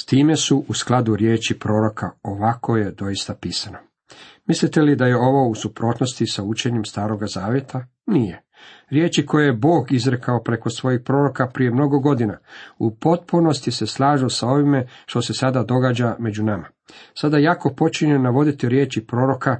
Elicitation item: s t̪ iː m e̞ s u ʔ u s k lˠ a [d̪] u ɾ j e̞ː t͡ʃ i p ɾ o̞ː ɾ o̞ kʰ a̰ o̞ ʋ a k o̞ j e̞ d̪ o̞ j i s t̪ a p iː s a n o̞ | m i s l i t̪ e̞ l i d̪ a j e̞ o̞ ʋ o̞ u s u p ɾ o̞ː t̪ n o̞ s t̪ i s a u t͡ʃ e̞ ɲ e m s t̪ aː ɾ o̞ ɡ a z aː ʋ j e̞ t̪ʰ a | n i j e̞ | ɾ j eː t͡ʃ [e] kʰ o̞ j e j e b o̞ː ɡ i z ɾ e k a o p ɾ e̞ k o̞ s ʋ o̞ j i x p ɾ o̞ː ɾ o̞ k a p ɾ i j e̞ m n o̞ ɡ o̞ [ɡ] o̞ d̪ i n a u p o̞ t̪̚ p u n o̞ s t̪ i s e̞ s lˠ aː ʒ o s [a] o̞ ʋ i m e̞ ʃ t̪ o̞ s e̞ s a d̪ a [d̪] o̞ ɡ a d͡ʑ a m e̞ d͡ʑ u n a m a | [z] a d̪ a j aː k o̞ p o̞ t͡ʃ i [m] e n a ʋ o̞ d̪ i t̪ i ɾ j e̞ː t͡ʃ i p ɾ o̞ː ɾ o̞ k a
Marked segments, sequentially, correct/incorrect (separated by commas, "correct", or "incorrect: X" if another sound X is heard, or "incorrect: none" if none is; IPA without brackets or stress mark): correct, incorrect: i, correct, correct, correct, incorrect: s, incorrect: ɲ